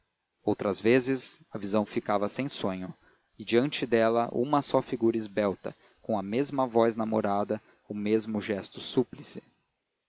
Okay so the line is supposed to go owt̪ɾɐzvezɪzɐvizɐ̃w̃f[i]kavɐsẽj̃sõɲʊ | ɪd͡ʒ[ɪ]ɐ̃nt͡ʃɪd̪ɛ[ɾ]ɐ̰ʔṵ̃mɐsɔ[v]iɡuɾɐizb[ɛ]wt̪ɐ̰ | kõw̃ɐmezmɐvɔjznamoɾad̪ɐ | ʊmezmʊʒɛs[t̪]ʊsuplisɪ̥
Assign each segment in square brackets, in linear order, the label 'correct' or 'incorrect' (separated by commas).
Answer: correct, incorrect, incorrect, incorrect, correct, correct